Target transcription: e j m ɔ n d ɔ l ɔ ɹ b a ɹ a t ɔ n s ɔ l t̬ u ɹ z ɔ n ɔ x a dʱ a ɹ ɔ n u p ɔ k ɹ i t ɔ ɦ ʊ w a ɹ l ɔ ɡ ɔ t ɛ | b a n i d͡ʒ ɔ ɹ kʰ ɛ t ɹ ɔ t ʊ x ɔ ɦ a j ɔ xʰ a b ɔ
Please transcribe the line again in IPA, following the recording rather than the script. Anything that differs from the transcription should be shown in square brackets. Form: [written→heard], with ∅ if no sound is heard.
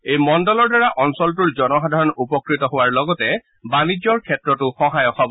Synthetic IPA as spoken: e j m ɔ n d ɔ l ɔ ɹ [b→d] a ɹ a [t→ʔ] ɔ n s ɔ l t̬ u ɹ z ɔ n ɔ x a dʱ a ɹ ɔ n u p ɔ k ɹ i t ɔ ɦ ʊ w a ɹ l ɔ ɡ ɔ t ɛ | b a n i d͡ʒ ɔ ɹ kʰ ɛ t ɹ ɔ t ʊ x ɔ ɦ a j ɔ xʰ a b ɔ